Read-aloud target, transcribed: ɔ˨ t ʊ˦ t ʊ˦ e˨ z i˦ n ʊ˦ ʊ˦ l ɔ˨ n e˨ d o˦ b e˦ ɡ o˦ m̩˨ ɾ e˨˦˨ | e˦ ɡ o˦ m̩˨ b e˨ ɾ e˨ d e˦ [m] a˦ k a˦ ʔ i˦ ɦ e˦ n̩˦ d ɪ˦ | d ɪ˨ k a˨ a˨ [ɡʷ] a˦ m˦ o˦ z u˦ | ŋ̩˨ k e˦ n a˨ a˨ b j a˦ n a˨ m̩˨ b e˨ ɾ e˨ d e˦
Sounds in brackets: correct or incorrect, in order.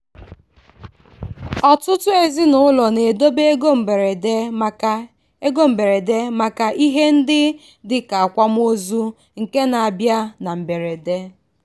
correct, incorrect

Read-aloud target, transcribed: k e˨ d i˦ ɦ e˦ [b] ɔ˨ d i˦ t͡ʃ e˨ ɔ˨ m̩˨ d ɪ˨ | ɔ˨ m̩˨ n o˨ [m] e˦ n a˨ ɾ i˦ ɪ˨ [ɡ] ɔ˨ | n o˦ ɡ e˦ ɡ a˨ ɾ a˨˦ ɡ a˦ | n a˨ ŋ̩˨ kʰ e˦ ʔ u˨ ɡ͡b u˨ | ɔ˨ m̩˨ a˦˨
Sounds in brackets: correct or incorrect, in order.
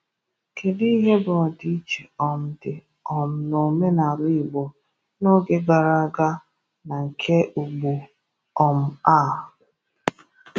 correct, correct, incorrect

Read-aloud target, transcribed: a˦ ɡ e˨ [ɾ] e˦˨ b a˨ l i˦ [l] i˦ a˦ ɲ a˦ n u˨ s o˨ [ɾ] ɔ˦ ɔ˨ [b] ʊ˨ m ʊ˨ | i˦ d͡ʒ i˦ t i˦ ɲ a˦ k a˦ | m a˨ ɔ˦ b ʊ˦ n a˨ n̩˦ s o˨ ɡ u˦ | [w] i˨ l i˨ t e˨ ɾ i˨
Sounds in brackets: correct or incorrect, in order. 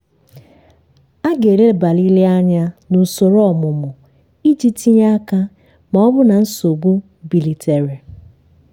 correct, correct, correct, incorrect, incorrect

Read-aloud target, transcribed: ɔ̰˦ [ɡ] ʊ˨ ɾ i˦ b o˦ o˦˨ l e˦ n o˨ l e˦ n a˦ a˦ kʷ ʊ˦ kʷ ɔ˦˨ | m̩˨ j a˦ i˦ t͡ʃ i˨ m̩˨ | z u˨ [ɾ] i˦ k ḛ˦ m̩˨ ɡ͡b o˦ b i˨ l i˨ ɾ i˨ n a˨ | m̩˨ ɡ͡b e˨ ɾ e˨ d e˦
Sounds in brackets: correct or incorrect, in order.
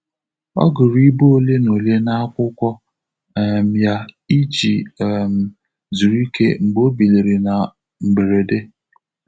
correct, correct

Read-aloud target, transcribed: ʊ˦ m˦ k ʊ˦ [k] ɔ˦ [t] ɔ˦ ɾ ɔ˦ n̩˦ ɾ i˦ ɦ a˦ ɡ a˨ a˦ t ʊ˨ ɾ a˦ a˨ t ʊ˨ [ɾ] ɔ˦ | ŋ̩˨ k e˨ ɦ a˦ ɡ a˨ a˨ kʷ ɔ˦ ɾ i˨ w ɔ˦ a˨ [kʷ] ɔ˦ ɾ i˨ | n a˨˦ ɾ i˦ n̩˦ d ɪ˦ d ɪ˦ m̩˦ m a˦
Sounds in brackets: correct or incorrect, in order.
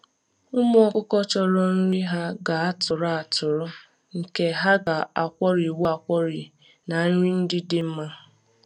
correct, incorrect, correct, correct

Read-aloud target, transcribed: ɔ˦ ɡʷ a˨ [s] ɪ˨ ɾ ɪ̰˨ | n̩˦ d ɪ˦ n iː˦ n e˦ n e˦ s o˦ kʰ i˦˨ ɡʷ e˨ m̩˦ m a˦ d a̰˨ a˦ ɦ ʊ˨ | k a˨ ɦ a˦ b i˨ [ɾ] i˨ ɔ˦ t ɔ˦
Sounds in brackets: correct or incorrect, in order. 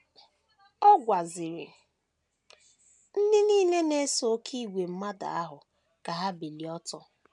incorrect, incorrect

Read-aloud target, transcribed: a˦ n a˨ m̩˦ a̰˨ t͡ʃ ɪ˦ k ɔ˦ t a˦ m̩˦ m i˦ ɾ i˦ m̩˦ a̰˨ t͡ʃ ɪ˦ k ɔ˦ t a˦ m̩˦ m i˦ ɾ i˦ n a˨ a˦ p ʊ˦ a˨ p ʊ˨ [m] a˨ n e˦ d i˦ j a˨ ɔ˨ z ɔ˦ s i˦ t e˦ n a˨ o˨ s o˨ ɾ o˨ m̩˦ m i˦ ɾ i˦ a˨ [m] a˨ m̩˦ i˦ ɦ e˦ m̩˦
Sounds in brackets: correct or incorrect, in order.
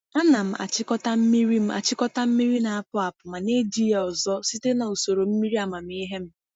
correct, correct

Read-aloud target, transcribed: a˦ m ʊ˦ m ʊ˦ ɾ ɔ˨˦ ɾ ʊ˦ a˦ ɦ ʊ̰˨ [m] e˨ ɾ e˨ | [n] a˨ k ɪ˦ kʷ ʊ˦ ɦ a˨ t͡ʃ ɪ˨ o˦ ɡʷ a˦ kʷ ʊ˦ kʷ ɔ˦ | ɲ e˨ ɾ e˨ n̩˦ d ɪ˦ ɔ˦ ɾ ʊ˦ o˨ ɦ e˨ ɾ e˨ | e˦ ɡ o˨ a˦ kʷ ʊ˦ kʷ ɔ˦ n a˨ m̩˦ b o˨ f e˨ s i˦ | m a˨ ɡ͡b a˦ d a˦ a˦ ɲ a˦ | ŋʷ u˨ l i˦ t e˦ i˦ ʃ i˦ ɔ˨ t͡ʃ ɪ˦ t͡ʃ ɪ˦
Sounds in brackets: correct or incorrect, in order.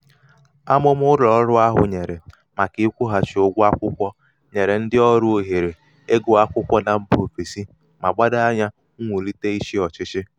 incorrect, incorrect

